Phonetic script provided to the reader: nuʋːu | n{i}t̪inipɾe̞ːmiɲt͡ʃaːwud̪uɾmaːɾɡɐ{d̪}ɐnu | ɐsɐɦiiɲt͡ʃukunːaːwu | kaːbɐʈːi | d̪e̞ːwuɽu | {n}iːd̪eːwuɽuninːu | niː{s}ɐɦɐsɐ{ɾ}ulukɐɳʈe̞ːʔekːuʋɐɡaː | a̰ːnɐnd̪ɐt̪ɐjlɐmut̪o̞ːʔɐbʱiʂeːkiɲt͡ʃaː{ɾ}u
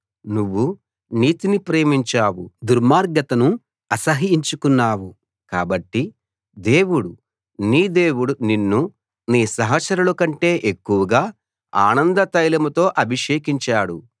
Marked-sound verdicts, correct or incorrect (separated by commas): incorrect, incorrect, correct, correct, correct, incorrect